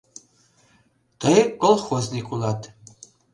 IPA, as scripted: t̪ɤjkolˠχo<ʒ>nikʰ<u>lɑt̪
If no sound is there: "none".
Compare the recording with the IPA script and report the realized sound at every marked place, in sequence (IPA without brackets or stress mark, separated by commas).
z, u